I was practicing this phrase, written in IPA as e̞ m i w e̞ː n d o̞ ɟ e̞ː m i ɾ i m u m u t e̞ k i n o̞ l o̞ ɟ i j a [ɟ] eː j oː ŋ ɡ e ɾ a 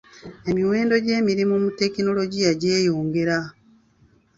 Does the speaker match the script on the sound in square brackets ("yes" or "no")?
yes